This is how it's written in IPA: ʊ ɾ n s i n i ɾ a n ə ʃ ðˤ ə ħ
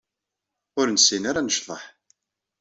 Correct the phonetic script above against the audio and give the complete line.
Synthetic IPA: ʊ ɾ n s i n a ɾ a n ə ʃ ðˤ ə ħ

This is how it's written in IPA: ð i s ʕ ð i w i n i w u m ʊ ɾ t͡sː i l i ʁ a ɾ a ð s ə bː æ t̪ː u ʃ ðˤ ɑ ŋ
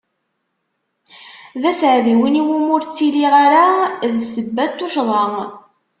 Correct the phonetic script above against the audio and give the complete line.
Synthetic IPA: ð æ s ʕ ð i w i n i w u m ʊ ɾ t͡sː i l i ʁ a ɾ a ð s ə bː æ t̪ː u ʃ ðˤ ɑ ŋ

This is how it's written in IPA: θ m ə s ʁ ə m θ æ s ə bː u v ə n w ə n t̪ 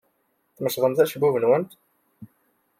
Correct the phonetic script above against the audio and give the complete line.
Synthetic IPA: θ m ə ʃ ʁ ə m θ æ ʃ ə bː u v ə n w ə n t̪

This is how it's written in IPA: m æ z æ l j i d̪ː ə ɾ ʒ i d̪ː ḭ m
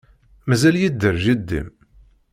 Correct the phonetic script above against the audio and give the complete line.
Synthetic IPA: m æ z æ l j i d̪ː ə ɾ ʒ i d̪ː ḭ m

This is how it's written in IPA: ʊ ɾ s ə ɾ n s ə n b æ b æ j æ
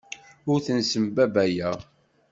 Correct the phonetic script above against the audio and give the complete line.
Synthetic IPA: ʊ ɾ θ ə n s ə m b æ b æ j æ

